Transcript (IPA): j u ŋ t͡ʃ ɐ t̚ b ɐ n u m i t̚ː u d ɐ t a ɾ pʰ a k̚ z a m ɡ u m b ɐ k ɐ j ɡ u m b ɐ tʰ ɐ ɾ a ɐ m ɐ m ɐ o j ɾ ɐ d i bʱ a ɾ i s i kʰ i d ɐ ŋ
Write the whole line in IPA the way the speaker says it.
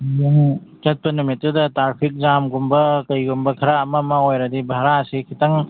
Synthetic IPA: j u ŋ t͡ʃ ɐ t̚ p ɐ n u m i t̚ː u d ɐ t a ɾ pʰ i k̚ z a m ɡ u m b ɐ k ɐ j ɡ u m b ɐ kʰ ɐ ɾ a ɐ m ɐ m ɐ o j ɾ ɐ d i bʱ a ɾ a s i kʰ i t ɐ ŋ